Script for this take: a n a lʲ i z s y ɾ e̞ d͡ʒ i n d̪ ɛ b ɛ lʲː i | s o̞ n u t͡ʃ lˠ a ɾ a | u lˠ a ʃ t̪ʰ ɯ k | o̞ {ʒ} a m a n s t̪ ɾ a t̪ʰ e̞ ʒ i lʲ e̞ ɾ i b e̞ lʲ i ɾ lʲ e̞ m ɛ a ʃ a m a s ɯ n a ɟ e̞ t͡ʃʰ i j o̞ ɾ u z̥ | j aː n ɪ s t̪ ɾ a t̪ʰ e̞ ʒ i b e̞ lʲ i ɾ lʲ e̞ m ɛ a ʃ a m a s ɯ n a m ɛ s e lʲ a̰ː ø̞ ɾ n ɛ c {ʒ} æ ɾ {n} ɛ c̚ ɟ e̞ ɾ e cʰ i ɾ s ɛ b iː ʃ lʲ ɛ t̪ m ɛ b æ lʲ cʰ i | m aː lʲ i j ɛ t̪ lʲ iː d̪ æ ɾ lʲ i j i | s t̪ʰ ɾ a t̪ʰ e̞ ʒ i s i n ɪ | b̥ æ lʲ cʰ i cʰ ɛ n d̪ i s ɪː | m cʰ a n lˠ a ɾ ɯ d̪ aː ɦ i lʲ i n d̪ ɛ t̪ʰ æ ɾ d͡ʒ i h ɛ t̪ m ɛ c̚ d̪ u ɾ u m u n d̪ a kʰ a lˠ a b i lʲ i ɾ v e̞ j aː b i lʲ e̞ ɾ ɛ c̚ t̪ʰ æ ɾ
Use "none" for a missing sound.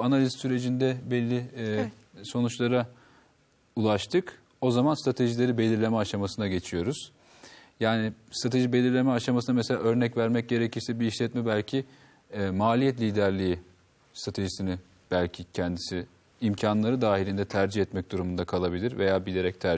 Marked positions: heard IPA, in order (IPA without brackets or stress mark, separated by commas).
z, v, m